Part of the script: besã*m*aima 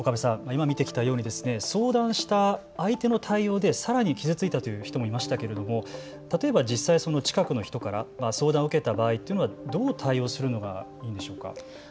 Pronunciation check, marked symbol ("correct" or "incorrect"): correct